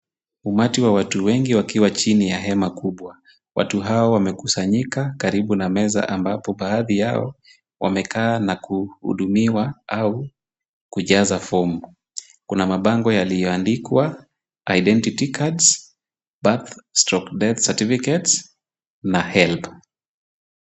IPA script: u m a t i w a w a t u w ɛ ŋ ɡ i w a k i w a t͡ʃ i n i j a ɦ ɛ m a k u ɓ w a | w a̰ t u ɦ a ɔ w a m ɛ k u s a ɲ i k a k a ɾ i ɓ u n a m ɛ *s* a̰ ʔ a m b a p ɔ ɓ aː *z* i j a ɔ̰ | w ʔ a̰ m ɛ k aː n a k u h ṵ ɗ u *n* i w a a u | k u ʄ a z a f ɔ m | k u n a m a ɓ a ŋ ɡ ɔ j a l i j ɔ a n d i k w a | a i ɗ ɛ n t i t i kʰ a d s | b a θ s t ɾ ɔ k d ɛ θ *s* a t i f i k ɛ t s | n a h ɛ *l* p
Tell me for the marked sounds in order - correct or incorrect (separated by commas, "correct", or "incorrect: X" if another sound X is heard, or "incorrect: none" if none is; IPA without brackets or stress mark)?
incorrect: z, incorrect: ð, incorrect: m, correct, correct